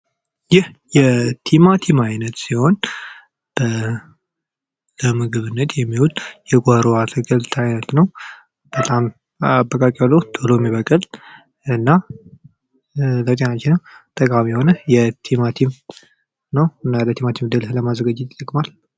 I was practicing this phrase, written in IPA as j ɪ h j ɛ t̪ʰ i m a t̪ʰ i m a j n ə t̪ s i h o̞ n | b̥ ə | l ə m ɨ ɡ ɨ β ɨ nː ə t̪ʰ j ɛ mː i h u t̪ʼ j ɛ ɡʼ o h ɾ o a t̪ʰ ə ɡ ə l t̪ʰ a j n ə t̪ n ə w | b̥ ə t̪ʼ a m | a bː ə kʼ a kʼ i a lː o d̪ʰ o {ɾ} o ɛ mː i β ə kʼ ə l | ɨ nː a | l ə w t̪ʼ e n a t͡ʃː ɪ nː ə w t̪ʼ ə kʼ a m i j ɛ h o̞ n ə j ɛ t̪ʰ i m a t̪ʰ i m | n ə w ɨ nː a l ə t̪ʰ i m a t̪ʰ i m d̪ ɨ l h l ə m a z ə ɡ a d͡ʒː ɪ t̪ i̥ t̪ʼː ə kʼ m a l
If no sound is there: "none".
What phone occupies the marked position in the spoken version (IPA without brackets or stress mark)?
l